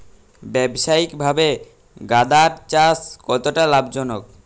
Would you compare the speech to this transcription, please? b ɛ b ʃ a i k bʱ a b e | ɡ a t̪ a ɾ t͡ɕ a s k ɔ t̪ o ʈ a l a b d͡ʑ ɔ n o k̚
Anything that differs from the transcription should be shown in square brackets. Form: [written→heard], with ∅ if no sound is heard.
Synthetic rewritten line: b ɛ b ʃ a i k bʱ a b e | ɡ a [t̪→d̪] a ɾ t͡ɕ a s k ɔ t̪ o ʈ a l a b d͡ʑ ɔ n o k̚

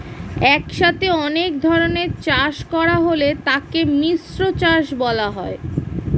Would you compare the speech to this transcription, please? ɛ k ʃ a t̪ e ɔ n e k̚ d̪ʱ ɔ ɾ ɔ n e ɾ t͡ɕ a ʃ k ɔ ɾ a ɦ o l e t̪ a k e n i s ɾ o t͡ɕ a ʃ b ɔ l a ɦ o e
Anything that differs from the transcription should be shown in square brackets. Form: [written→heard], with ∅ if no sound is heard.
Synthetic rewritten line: ɛ k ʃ a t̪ e ɔ n e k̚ d̪ʱ ɔ ɾ [ɔ→o] n e ɾ t͡ɕ a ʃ k ɔ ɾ a ɦ o l e t̪ a k e [n→m] i s ɾ o t͡ɕ a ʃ b ɔ l a ɦ [o→ɔ] e

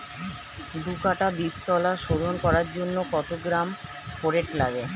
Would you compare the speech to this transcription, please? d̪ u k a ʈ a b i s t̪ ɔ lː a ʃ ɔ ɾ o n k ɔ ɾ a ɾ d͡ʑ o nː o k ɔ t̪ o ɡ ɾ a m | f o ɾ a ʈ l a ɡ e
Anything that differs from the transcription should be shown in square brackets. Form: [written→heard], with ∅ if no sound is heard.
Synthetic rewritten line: d̪ u k a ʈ a b i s t̪ ɔ [lː→l] a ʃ [ɔ→o] ɾ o n k ɔ ɾ a ɾ d͡ʑ o nː o k ɔ t̪ o ɡ ɾ a m | f o ɾ [a→e] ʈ l a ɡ e

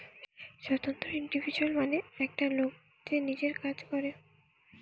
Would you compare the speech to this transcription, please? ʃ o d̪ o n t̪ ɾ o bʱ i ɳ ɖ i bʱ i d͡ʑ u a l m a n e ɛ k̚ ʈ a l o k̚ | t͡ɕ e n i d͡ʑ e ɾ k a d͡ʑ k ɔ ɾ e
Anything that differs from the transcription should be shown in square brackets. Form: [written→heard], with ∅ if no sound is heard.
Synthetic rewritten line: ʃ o [d̪→t̪] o n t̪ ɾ o [bʱ→∅] i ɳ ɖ i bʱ i d͡ʑ u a l m a n e ɛ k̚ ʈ a l o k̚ | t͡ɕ e n i d͡ʑ e ɾ k a d͡ʑ k ɔ ɾ e

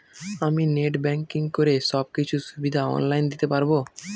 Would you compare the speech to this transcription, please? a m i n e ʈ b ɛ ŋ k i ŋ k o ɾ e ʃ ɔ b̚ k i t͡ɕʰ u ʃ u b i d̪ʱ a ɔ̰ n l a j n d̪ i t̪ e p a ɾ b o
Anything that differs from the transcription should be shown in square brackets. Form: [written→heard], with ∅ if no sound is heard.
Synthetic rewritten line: a m i n e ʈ b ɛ ŋ k i ŋ k o ɾ e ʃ ɔ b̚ k i t͡ɕʰ u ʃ u b i d̪ʱ a ɔ̰ n l a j n d̪ i t̪ e p a ɾ b o

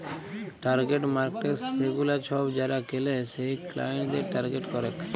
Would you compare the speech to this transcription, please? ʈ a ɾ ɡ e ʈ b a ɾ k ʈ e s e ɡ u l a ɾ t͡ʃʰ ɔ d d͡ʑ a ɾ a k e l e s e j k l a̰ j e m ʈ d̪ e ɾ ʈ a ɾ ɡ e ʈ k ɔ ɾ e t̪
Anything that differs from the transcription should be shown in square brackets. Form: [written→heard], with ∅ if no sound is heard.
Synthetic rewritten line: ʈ a ɾ ɡ e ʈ [b→m] a ɾ k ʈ e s e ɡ u l a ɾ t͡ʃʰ ɔ [d→b] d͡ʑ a ɾ a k e l e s e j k l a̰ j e [m→ɳ] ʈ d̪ e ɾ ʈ a ɾ ɡ e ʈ k ɔ ɾ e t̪

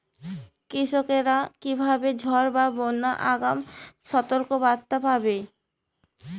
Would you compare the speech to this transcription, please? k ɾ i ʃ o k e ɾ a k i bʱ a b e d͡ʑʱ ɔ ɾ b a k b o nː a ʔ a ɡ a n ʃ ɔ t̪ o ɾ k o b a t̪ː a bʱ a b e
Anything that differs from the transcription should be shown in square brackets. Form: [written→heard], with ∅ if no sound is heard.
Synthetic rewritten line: k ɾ i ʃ o k e ɾ a k i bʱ a b e d͡ʑʱ ɔ ɾ b a [k→∅] b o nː a ʔ a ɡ a [n→m] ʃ ɔ t̪ o ɾ k o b a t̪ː a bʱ a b e

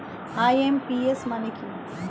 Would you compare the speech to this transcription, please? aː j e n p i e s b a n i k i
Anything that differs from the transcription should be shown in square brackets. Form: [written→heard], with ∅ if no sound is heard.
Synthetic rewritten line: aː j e [n→m] p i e s [b→m] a n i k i

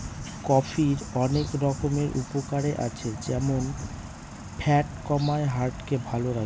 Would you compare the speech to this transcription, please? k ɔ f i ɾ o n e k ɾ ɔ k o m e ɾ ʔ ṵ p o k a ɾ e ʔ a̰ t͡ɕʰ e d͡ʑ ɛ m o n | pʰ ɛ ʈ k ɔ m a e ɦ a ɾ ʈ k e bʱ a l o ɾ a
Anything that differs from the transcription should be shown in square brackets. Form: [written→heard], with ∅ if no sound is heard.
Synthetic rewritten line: k ɔ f i ɾ [o→ɔ] n e k ɾ ɔ k o m e ɾ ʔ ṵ p o k a ɾ e ʔ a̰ t͡ɕʰ e d͡ʑ ɛ m o n | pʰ ɛ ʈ k ɔ m a e ɦ a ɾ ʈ k e bʱ a l o ɾ a

